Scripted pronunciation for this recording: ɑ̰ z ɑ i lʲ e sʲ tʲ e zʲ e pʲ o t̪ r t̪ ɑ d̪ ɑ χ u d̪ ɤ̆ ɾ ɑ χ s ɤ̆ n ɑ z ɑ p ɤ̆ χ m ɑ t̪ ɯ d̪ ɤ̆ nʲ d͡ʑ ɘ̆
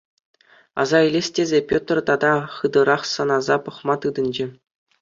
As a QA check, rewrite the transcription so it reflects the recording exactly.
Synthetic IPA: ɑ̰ z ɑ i lʲ e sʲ tʲ e zʲ e pʲ o t̪ r t̪ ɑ d̪ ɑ χ ɯ d̪ ɤ̆ ɾ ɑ χ s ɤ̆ n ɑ z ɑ p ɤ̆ χ m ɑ t̪ ɯ d̪ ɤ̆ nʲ d͡ʑ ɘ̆